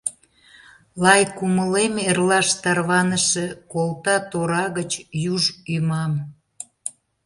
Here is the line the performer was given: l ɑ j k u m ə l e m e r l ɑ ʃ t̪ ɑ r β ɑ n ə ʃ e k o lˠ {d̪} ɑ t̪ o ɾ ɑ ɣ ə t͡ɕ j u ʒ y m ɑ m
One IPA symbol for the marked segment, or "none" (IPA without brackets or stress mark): t̪